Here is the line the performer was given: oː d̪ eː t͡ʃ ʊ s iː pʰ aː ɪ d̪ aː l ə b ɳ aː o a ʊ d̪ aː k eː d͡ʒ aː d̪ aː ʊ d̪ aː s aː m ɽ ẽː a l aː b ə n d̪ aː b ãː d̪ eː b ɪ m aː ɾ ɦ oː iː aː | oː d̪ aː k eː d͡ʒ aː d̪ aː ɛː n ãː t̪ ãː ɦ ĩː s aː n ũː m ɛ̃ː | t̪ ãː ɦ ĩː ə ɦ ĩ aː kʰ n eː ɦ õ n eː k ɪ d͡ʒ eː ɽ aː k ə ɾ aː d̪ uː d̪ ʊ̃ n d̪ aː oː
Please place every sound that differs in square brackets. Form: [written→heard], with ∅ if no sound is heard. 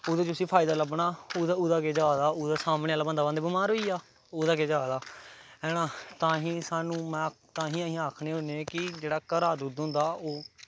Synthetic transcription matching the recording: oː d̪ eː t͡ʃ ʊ s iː pʰ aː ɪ d̪ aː l ə b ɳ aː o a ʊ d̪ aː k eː d͡ʒ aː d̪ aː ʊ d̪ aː s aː m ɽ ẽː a l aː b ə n d̪ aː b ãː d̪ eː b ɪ m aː ɾ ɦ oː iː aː | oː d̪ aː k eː d͡ʒ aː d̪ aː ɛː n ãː t̪ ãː ɦ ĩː s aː n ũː m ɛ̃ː | t̪ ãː ɦ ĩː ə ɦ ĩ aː kʰ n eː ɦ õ n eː k ɪ d͡ʒ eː ɽ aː k ə ɾ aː d̪ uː d̪ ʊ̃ n d̪ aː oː